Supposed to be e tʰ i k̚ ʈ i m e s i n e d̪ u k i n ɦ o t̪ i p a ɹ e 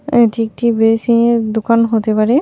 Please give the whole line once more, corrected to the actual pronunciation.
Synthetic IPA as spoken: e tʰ i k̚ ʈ i b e s i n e d̪ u k a n ɦ o t̪ e p a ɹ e